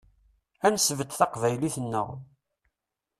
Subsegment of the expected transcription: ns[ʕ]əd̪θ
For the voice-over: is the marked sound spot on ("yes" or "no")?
no